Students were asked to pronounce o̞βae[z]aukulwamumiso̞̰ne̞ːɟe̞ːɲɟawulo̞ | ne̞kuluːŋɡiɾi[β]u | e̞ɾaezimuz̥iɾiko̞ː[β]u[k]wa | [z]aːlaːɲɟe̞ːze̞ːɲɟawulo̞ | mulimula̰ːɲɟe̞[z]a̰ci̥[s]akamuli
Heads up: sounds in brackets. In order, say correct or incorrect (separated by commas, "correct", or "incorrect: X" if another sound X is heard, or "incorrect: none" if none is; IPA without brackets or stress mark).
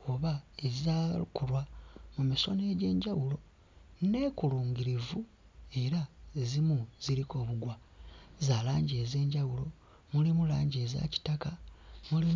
correct, incorrect: v, correct, incorrect: ɡ, correct, correct, incorrect: t